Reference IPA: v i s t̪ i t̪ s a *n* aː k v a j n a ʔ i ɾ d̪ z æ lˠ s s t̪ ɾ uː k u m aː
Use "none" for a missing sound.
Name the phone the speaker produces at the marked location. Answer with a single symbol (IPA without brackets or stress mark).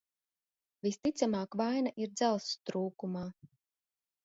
m